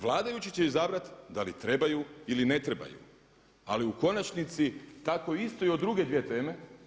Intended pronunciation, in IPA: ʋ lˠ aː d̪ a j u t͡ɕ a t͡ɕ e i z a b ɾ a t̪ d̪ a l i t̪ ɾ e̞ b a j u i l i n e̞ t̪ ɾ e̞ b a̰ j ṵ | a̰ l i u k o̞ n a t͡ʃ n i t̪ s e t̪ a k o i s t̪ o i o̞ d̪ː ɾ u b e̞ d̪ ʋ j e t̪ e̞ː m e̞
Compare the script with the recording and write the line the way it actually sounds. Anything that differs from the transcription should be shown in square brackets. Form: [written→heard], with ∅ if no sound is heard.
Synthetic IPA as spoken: ʋ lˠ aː d̪ a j u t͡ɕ [a→i] t͡ɕ e i z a b ɾ a t̪ d̪ a l i t̪ ɾ e̞ b a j u i l i n e̞ t̪ ɾ e̞ b a̰ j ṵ | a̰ l i u k o̞ n a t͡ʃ n i t̪ s [e→i] t̪ a k o i s t̪ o i o̞ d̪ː ɾ u [b→ɡ] e̞ d̪ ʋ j e t̪ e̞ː m e̞